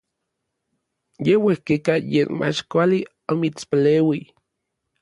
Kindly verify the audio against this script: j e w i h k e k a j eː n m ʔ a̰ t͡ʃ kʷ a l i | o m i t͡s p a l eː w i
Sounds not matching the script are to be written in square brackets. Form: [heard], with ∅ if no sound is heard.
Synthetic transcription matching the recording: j e w [e] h k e k a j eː n m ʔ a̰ t͡ʃ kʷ a l i | o m i t͡s p a l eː w i